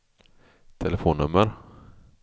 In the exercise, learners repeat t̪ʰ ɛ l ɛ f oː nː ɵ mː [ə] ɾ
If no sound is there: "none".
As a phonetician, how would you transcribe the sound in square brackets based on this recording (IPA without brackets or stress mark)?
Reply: ə